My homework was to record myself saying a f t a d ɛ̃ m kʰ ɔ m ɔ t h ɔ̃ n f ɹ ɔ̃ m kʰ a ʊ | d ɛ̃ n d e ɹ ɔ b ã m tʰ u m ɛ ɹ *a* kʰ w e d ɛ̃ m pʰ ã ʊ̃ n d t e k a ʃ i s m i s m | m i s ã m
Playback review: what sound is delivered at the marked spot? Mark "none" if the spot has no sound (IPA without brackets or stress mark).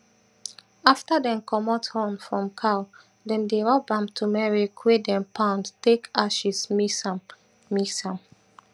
i